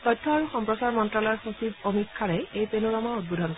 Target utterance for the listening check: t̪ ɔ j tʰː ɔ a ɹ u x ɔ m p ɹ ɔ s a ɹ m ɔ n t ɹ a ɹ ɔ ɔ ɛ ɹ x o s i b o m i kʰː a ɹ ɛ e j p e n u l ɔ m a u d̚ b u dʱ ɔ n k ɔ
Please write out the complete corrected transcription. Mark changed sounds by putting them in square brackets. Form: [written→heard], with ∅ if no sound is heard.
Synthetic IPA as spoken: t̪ ɔ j tʰː ɔ a ɹ u x ɔ m p ɹ ɔ s a ɹ m ɔ n t ɹ a [ɹ→l] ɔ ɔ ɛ ɹ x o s i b o m i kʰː a ɹ ɛ e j p e n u [l→ɹ] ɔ m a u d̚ b u dʱ ɔ n k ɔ